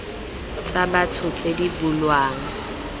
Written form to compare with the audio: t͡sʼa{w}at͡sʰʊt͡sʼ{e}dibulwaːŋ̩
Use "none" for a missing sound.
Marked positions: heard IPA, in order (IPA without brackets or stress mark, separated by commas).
b, e